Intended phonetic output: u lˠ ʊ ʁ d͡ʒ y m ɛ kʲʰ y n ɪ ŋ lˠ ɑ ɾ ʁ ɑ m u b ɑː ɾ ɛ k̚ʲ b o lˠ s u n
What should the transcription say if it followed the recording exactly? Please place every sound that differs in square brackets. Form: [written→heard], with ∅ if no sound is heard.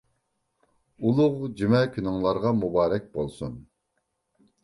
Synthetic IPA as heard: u lˠ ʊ ʁ d͡ʒ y m ɛ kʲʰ y n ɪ ŋ lˠ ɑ ɾ ʁ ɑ m u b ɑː ɾ ɛ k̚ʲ b o lˠ s u n